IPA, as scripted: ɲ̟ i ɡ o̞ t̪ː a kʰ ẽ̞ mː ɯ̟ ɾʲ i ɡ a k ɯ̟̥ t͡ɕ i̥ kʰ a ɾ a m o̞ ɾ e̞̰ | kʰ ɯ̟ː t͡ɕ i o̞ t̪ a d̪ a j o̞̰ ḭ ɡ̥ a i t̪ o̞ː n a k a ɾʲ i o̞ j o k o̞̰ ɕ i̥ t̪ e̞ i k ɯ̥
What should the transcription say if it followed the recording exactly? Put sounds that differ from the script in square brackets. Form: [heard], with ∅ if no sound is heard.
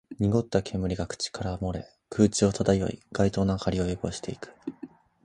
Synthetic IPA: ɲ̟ i ɡ o̞ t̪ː a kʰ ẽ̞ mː ɯ̟ ɾʲ i ɡ a k ɯ̟̥ t͡ɕ i̥ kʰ a ɾ a m o̞ ɾ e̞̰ | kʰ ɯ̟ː t͡ɕ i o̞ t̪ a d̪ a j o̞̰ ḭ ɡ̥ a i t̪ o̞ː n a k a ɾʲ i o̞ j o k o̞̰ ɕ i̥ t̪ e̞ i k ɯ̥